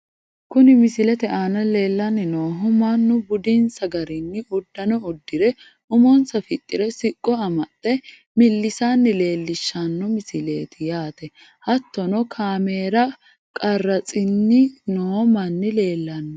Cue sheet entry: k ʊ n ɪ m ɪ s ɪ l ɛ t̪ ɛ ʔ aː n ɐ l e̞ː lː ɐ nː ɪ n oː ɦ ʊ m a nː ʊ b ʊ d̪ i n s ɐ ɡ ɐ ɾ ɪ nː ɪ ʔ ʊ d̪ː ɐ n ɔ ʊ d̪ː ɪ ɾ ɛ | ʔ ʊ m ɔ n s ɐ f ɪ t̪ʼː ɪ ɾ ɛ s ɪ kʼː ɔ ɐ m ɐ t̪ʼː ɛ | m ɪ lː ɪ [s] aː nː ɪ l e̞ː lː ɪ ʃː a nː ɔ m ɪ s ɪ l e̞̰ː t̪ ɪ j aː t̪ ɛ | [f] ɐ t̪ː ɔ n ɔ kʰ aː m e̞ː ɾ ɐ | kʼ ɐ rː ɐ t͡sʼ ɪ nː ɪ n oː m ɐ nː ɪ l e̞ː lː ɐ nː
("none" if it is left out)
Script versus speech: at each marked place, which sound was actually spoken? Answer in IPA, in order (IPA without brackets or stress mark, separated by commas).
s, h